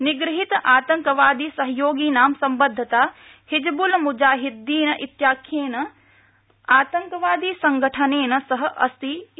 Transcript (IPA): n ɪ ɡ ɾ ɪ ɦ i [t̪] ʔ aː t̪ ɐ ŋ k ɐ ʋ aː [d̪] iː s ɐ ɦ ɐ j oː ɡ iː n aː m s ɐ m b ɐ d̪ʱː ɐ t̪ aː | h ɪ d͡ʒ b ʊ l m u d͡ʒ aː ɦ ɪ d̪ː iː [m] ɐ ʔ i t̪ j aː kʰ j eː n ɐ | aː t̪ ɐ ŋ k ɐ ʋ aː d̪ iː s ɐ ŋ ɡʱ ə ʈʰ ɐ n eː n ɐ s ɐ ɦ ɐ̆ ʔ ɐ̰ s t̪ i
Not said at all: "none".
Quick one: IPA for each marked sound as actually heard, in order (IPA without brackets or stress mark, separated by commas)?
t̪, d̪, n